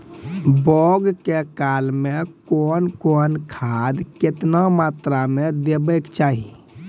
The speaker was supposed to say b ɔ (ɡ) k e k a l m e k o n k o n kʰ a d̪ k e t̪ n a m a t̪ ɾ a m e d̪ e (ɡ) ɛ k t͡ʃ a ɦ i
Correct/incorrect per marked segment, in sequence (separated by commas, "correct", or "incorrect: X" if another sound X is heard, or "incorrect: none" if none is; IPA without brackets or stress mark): correct, incorrect: b